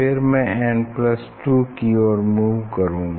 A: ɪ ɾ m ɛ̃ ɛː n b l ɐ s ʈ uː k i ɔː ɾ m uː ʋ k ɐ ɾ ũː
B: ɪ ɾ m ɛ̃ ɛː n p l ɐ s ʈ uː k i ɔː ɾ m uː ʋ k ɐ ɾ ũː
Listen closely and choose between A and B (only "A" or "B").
B